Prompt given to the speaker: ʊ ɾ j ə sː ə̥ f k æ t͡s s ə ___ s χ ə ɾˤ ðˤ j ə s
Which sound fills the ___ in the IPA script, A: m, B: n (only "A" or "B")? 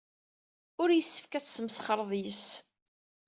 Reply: A